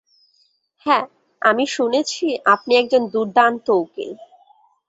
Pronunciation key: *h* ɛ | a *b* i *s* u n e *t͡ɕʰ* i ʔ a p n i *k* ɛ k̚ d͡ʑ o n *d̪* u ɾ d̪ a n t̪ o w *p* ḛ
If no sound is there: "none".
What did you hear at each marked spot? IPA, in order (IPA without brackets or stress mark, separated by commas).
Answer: h, m, ʃ, t͡ɕʰ, none, d̪, k